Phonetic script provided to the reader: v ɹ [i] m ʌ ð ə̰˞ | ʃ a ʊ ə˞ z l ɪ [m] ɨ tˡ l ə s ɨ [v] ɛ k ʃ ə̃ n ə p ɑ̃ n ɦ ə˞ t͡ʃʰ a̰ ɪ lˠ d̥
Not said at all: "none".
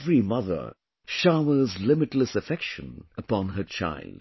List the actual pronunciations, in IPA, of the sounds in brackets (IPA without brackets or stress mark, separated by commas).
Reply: i, m, f